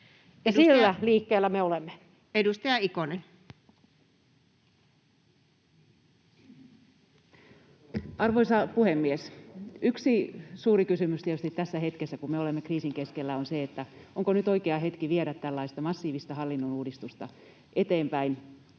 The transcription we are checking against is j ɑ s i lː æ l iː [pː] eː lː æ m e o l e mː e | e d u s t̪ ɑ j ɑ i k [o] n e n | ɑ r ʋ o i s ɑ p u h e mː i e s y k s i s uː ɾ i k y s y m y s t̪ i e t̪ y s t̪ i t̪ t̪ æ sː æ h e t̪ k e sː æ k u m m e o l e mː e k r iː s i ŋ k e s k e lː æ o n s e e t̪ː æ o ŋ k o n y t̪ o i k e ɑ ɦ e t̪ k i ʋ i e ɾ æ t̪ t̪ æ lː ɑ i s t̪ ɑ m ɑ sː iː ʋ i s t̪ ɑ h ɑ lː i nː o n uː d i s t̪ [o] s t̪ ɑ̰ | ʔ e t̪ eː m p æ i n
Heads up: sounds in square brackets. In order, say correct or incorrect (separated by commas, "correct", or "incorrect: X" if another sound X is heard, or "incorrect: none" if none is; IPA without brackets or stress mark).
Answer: incorrect: kː, correct, incorrect: u